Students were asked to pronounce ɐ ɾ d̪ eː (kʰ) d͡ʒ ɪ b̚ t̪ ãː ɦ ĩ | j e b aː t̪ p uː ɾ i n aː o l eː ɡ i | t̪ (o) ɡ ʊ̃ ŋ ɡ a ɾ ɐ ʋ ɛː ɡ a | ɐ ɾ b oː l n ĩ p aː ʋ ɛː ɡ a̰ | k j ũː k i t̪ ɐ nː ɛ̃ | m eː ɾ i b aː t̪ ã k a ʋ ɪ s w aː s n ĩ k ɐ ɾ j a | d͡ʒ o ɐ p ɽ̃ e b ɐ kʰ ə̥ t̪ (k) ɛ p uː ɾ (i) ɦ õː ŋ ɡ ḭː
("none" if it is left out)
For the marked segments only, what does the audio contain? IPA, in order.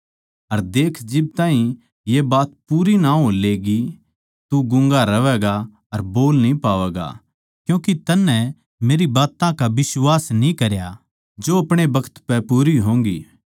kʰ, u, p, i

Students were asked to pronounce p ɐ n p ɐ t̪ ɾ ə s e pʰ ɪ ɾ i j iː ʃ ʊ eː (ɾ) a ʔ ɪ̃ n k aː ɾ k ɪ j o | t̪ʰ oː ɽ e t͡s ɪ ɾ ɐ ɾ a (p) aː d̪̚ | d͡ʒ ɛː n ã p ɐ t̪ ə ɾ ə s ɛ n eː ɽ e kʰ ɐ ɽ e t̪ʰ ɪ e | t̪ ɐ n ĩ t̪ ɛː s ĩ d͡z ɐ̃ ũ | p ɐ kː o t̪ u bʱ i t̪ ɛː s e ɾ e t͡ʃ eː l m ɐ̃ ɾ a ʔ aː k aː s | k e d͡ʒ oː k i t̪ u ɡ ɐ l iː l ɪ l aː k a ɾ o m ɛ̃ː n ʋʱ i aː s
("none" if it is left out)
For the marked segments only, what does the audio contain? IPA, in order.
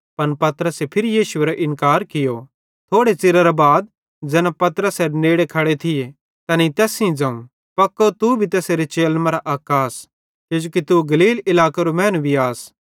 ɾ, b

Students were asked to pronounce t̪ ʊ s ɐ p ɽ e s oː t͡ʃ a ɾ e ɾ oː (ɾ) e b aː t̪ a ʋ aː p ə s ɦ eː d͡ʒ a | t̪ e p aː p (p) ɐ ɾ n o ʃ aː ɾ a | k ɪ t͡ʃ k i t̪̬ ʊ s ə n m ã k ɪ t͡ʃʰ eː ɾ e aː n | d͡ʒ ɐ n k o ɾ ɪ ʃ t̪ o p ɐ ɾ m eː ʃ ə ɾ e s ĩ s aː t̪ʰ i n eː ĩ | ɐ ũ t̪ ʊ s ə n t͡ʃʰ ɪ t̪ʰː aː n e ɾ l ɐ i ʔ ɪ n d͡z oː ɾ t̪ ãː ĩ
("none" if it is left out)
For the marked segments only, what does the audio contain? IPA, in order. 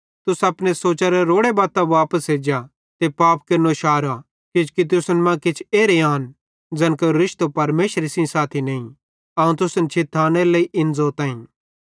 ɽ, k

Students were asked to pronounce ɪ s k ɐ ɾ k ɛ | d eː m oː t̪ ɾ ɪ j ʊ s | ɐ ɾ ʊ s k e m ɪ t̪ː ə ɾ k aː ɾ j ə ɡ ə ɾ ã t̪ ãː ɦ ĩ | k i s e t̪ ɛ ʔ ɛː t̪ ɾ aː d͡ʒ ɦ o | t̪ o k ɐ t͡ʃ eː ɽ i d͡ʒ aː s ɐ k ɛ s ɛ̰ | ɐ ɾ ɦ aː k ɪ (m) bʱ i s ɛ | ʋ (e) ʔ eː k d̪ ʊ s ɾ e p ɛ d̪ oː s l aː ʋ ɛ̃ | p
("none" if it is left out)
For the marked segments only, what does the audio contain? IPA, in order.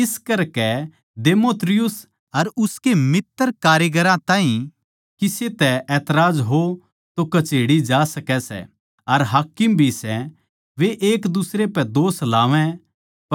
m, e

